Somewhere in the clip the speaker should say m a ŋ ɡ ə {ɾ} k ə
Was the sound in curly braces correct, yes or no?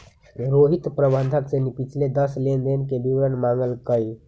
no